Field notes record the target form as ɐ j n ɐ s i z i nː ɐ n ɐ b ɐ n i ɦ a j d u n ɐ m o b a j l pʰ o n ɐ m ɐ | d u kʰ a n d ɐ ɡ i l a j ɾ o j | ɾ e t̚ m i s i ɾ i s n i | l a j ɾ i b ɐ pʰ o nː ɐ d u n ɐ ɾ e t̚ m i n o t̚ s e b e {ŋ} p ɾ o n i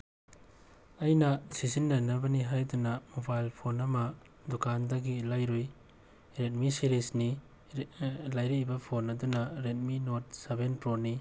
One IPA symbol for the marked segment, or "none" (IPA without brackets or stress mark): n